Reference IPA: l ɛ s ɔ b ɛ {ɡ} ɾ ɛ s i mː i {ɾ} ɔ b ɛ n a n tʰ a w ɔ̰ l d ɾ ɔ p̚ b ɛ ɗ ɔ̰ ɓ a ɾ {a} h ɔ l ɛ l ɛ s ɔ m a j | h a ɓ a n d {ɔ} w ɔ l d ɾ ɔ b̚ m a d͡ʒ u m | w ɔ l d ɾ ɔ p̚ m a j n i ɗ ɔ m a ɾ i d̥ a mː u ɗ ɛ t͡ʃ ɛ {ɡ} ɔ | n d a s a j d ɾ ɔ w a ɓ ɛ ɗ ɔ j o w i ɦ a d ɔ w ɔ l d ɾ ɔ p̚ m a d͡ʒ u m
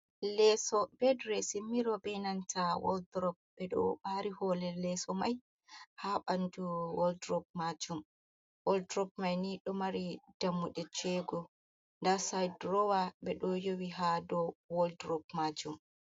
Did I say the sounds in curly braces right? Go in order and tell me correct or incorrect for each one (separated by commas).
incorrect, correct, incorrect, incorrect, correct